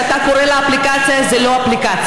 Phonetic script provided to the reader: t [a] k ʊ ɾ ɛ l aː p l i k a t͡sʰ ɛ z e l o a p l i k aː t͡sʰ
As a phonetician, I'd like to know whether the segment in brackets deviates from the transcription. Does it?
no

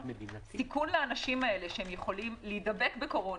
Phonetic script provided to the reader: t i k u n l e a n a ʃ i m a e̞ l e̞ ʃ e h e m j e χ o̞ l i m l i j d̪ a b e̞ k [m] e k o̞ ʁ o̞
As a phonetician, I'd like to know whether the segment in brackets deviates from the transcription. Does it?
yes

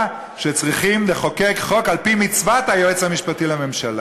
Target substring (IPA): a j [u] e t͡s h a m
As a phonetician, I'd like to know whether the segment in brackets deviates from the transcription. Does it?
yes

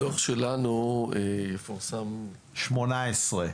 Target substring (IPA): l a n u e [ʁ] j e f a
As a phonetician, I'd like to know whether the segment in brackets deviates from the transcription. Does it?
yes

